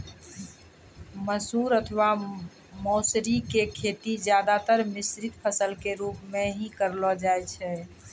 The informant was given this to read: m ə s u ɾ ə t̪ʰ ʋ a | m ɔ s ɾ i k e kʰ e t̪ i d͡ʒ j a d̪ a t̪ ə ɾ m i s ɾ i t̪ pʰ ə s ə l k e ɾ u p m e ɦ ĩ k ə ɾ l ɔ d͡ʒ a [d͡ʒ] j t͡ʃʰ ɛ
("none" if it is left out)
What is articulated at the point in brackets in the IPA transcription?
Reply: none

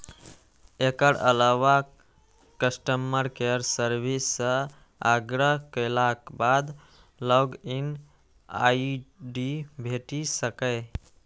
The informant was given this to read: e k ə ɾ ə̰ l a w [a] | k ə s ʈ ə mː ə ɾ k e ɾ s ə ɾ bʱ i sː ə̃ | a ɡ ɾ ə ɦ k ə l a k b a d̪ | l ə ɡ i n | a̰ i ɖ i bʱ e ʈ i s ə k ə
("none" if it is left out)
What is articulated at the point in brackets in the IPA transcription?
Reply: a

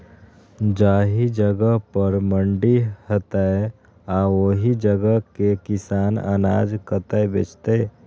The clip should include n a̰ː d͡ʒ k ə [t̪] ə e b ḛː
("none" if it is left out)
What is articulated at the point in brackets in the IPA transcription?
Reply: t̪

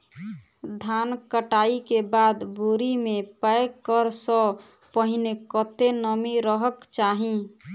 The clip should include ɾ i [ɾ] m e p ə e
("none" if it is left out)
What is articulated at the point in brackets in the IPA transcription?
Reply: none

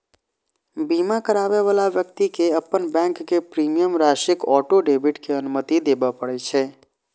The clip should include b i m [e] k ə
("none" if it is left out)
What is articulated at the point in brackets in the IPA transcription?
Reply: a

